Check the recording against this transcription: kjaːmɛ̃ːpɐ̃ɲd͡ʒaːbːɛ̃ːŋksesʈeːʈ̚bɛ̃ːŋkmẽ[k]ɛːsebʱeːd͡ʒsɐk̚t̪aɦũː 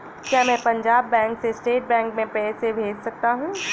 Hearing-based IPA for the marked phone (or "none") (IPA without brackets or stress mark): p